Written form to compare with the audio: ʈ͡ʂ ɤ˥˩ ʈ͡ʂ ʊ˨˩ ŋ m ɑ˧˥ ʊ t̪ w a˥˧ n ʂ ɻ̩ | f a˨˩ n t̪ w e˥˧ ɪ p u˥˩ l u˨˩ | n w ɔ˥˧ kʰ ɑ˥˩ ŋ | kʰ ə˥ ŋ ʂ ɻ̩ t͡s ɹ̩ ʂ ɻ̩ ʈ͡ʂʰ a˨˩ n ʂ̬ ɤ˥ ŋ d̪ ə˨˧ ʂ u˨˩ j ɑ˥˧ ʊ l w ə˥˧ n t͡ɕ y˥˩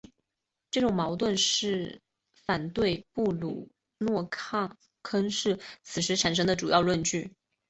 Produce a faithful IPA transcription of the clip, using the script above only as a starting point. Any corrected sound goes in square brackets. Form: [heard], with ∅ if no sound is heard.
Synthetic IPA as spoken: ʈ͡ʂ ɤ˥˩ ʈ͡ʂ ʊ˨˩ ŋ m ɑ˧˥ ʊ t̪ w [ə˥˧] n ʂ ɻ̩ | f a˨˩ n t̪ w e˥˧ ɪ p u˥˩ l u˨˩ | n w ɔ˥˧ kʰ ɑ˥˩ ŋ | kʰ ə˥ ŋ ʂ ɻ̩ [t͡sʰ] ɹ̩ ʂ ɻ̩ ʈ͡ʂʰ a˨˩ n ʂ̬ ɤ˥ ŋ d̪ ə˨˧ [ʈ͡ʂ] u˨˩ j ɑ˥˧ ʊ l w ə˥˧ n t͡ɕ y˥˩